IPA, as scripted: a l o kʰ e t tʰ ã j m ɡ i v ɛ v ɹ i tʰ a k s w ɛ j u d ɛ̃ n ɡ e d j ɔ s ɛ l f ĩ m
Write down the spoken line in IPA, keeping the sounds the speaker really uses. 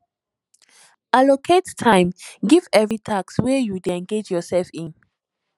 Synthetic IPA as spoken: a l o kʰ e t tʰ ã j m ɡ i v ɛ v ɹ i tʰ a k s w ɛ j u d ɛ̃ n ɡ e d͡ʒ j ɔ s ɛ l f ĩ n